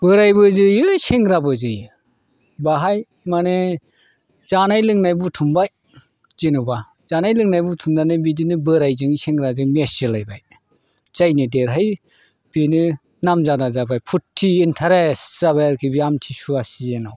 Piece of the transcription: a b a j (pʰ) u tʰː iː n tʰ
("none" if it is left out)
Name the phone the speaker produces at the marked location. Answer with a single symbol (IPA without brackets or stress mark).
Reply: pʰ